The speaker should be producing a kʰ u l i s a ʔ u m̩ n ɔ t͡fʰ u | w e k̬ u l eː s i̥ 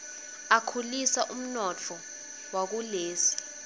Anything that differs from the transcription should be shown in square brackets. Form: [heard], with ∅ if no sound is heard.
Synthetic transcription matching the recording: a kʰ u l i s a ʔ u m̩ n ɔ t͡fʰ [ɔ] | w [a] k̬ u l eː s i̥